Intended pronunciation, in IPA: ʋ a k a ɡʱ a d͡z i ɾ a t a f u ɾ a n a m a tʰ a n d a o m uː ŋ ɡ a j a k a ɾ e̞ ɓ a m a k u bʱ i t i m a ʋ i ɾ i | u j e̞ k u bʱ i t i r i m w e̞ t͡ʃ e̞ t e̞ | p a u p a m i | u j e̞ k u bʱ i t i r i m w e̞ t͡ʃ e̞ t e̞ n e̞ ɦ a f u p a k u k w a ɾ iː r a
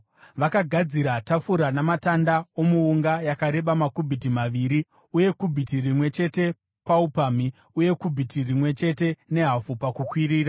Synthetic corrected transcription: ʋ a k a ɡʱ a d͡z i ɾ a t a f u ɾ a n a m a t a n d a o m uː ŋ ɡ a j a k a ɾ e̞ ɓ a m a k u bʱ i t i m a ʋ i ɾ i | u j e̞ k u bʱ i t i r i m w e̞ t͡ʃ e̞ t e̞ | p a u p a m i | u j e̞ k u bʱ i t i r i m w e̞ t͡ʃ e̞ t e̞ n e̞ ɦ a f u p a k u k w i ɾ iː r a